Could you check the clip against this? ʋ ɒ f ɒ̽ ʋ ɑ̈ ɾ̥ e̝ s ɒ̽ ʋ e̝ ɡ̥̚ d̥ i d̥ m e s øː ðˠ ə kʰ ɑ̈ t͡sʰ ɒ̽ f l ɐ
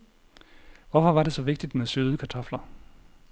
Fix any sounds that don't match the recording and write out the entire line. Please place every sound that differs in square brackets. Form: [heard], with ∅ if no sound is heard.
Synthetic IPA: ʋ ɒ f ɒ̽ ʋ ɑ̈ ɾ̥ e̝ s ɒ̽ ʋ e̝ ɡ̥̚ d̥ i d̥ m e s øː ðˠ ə kʰ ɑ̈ t͡sʰ ɒ̽ f l ɐ

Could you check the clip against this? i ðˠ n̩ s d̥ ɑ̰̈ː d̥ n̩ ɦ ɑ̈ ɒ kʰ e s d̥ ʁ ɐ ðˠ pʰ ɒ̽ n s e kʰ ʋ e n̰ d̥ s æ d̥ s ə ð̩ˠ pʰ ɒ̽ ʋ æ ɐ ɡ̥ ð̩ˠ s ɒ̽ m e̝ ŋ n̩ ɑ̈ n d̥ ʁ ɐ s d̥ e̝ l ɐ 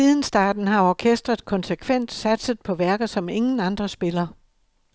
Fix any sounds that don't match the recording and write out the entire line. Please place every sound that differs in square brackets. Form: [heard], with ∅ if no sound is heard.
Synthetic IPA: i ðˠ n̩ s d̥ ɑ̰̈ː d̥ n̩ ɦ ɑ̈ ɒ kʰ e s d̥ ʁ ɐ ðˠ [kʰ] ɒ̽ n s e kʰ ʋ e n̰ d̥ s æ d̥ s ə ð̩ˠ pʰ ɒ̽ ʋ æ ɐ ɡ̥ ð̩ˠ s ɒ̽ m e̝ ŋ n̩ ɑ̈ n d̥ ʁ ɐ s [b̥] e̝ l ɐ

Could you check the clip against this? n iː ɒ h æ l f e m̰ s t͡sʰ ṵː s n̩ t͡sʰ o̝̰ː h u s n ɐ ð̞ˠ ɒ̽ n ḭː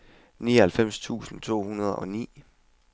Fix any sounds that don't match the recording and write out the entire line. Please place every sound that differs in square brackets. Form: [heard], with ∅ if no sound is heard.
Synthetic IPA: n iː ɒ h æ l f e m̰ s t͡sʰ ṵː s n̩ t͡sʰ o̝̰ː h u [∅] n ɐ ð̞ˠ ɒ̽ n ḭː

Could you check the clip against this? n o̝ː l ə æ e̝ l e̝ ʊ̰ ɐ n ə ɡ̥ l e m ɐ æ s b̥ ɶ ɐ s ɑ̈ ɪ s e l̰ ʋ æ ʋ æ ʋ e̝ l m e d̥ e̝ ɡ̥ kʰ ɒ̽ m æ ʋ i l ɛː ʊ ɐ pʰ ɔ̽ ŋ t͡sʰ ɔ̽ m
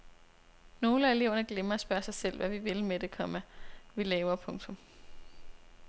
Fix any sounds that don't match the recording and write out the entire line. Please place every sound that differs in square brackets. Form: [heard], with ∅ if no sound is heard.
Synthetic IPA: n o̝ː l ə æ e̝ l e̝ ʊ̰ ɐ n ə ɡ̥ l e m ɐ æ s b̥ ɶ ɐ s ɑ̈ ɪ s e l̰ ʋ æ ʋ [i] ʋ e̝ l m e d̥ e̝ [∅] kʰ ɒ̽ m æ ʋ i l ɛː ʊ ɐ pʰ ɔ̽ ŋ t͡sʰ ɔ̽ m

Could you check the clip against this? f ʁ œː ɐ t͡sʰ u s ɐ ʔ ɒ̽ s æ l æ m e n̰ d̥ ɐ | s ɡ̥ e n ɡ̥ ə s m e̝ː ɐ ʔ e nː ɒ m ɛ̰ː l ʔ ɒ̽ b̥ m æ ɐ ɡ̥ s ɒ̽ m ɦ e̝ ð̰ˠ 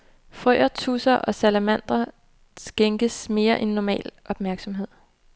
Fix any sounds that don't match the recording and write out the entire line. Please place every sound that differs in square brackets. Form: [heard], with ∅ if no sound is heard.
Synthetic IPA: f ʁ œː ɐ t͡sʰ u s ɐ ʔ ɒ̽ s æ l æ m [æ] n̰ d̥ ɐ | s ɡ̥ e [ŋ] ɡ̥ ə s m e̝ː ɐ ʔ e nː ɒ m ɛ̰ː l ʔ ɒ̽ b̥ m æ ɐ ɡ̥ s ɒ̽ m ɦ e̝ ð̰ˠ

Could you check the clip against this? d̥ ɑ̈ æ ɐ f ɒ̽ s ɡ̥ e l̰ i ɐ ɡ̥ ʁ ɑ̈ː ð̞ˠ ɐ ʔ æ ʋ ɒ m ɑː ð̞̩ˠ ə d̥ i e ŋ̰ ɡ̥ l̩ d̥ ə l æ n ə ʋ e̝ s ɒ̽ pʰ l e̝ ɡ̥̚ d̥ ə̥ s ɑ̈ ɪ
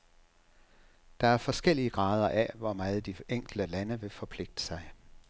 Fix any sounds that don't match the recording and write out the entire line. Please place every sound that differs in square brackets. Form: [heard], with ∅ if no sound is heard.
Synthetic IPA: d̥ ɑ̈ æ ɐ f ɒ̽ s ɡ̥ e l̰ i [ə] ɡ̥ ʁ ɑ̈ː ð̞ˠ ɐ ʔ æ ʋ ɒ m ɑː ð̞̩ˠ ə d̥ i e ŋ̰ ɡ̥ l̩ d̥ ə l æ n ə ʋ e̝ [f] ɒ̽ pʰ l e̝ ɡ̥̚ d̥ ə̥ s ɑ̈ ɪ

